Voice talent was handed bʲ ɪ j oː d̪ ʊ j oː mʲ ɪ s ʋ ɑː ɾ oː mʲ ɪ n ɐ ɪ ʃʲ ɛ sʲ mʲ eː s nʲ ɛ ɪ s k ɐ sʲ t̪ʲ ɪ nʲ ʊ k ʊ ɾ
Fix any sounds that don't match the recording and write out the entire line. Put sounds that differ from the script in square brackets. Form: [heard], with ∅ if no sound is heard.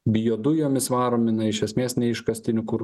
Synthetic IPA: bʲ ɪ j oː d̪ ʊ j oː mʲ ɪ s ʋ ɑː ɾ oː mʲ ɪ n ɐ ɪ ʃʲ ɛ sʲ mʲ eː s nʲ ɛ ɪ [ʃ] k ɐ sʲ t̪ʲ ɪ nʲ ʊ k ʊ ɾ